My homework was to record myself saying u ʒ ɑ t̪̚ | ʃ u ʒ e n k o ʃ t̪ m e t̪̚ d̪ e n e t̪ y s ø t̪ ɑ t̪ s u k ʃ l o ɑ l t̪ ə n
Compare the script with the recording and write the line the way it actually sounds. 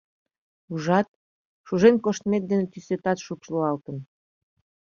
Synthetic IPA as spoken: u ʒ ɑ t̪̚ | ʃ u ʒ e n k o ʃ t̪ m e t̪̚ d̪ e n e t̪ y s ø t̪ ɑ t̪ ʃ u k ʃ l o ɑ l t̪ ə n